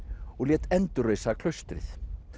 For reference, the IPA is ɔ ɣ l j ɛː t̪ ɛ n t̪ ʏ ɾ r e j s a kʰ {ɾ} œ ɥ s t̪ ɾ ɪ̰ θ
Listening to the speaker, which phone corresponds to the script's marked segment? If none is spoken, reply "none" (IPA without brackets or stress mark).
l